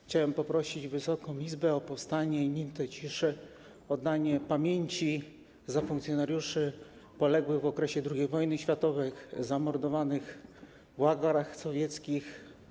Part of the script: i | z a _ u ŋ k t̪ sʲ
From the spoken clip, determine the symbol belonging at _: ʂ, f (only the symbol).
f